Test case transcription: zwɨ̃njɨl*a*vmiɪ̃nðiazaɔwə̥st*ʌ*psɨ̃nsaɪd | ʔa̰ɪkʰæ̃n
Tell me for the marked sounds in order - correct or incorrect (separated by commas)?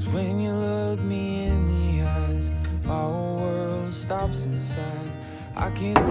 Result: incorrect, incorrect